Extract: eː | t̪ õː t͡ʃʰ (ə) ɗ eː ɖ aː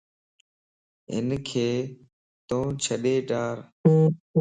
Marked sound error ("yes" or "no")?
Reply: no